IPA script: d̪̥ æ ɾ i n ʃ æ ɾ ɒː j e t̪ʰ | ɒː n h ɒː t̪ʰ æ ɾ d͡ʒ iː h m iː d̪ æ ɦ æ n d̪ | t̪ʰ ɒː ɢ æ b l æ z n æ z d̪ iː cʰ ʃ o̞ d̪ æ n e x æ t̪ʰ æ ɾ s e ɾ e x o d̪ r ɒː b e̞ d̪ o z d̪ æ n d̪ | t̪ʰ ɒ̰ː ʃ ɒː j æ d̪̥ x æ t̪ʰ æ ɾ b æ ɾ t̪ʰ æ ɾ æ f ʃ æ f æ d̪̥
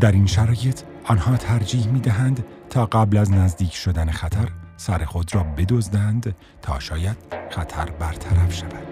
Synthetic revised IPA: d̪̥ æ ɾ i n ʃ æ ɾ ɒː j e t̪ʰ | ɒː n h ɒː t̪ʰ æ ɾ d͡ʒ iː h m iː d̪ æ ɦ æ n d̪ | t̪ʰ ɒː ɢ æ b l æ z n æ z d̪ iː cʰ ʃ o̞ d̪ æ n e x æ t̪ʰ æ ɾ s æ ɾ e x o d̪ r ɒː b e̞ d̪ o z d̪ æ n d̪ | t̪ʰ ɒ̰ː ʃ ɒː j æ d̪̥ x æ t̪ʰ æ ɾ b æ ɾ t̪ʰ æ ɾ æ f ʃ æ v æ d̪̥

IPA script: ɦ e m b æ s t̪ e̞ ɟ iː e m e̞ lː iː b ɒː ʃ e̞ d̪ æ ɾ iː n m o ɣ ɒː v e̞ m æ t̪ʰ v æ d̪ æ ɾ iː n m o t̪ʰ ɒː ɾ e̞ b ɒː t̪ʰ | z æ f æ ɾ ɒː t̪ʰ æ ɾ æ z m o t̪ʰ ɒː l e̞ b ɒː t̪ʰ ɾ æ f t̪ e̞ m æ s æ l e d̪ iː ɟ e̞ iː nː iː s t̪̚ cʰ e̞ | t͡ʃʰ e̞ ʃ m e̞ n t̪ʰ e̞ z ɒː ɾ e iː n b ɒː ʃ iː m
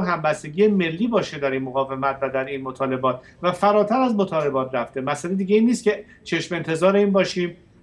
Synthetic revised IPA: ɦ æ m b æ s t̪ e̞ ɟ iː e m e̞ lː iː b ɒː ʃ e̞ d̪ æ ɾ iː n m o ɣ ɒː v e̞ m æ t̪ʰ v æ d̪ æ ɾ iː n m o t̪ʰ ɒː l e̞ b ɒː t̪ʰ | v æ f æ ɾ ɒː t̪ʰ æ ɾ æ z m o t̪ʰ ɒː l e̞ b ɒː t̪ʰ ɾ æ f t̪ e̞ m æ s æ l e d̪ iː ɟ e̞ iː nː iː s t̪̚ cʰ e̞ | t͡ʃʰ e̞ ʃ m e̞ n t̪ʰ e̞ z ɒː ɾ e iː n b ɒː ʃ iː m

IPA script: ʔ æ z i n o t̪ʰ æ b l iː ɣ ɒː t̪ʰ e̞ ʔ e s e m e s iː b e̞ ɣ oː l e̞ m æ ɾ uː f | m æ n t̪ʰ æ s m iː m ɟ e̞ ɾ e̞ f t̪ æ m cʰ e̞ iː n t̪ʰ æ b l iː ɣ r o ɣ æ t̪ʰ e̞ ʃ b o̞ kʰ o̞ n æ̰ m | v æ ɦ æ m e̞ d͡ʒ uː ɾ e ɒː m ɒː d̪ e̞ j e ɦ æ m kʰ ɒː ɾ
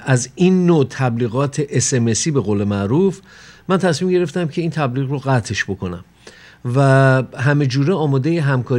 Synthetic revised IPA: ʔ æ z i nː o t̪ʰ æ b l iː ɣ ɒː t̪ʰ e̞ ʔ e s e m e s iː b e̞ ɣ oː l e̞ m æ ɾ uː f | m æ n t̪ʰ æ s m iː m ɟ e̞ ɾ e̞ f t̪ æ m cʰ e̞ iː n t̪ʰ æ b l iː ɣ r o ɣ æ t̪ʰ e̞ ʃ b o̞ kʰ o̞ n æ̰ m | v æ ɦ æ m e̞ d͡ʒ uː ɾ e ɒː m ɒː d̪ e̞ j e ɦ æ m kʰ ɒː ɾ

